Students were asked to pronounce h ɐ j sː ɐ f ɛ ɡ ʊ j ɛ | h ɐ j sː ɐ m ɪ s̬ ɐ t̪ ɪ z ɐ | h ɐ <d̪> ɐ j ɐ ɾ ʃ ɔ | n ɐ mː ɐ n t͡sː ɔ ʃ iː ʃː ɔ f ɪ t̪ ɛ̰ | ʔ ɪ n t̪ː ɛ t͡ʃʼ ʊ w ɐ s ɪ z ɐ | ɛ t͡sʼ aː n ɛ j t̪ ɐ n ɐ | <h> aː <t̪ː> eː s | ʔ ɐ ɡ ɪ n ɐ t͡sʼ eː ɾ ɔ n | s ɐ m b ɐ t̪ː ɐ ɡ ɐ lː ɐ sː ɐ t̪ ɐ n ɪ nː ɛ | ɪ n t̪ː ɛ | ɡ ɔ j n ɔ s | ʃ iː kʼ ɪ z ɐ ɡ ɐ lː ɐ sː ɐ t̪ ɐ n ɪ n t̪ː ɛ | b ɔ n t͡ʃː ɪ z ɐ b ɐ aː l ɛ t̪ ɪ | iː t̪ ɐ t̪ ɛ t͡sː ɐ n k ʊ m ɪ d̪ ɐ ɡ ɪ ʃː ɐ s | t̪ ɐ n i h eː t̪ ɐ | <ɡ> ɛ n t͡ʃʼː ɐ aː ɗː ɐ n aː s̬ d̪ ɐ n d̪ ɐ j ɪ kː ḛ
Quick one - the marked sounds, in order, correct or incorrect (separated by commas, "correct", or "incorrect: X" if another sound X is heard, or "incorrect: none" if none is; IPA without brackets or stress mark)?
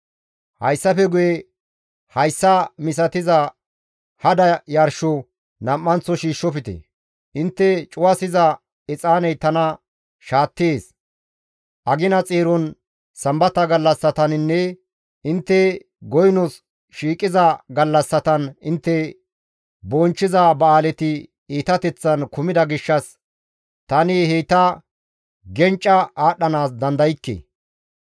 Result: correct, incorrect: ʃ, correct, correct